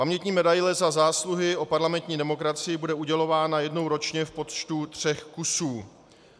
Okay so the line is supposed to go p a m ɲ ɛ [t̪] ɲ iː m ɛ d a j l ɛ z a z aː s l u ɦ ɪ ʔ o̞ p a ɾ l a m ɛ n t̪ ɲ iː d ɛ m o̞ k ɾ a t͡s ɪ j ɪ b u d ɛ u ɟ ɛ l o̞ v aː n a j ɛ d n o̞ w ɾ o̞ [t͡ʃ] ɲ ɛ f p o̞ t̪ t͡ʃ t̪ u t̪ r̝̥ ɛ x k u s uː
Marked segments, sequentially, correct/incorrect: correct, correct

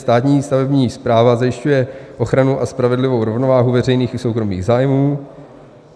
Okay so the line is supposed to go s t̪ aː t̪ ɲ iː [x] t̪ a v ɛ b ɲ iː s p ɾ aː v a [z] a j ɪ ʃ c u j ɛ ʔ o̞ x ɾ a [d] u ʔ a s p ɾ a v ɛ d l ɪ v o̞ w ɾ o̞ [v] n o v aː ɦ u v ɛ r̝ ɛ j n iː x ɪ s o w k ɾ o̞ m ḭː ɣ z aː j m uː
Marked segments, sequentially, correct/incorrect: incorrect, correct, incorrect, correct

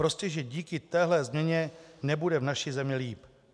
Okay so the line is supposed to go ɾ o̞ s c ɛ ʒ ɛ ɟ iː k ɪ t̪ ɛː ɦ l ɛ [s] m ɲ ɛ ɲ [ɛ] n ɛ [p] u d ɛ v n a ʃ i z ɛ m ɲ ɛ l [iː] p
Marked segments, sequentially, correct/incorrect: incorrect, correct, incorrect, correct

